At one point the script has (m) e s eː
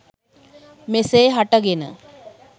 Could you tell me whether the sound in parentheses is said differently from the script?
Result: no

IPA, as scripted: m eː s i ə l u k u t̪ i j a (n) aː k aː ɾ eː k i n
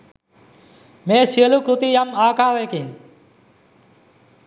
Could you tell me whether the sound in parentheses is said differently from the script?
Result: yes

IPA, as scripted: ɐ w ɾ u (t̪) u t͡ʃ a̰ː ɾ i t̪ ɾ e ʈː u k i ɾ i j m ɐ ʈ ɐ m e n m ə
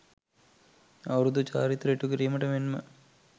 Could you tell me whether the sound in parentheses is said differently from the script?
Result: yes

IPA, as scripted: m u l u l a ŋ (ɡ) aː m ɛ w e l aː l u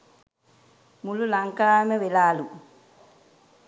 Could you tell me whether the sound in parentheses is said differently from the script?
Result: yes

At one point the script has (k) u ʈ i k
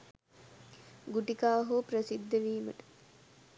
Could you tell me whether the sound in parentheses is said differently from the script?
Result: yes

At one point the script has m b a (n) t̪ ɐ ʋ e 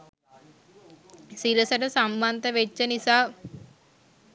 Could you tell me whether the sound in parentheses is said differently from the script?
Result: no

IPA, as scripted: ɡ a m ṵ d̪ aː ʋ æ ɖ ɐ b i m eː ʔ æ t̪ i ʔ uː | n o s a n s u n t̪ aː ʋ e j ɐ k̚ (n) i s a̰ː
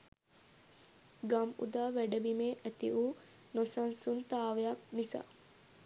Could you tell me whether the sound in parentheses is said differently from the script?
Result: no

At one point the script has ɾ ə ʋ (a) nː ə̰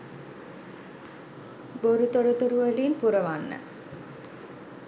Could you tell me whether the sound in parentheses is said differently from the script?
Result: no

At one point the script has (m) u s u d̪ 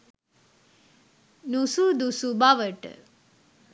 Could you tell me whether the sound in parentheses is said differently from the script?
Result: yes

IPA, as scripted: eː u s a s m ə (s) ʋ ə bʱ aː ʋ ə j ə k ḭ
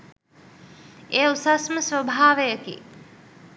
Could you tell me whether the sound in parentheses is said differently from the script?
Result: no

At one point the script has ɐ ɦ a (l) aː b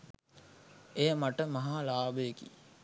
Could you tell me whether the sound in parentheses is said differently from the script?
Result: no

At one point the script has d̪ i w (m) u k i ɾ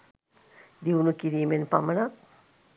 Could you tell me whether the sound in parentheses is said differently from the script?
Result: yes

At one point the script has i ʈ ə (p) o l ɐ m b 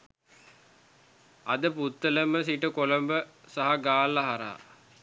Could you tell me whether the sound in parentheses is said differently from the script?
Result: yes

